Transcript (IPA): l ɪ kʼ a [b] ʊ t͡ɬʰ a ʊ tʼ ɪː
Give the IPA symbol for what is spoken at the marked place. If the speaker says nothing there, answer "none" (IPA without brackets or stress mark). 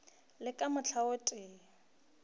m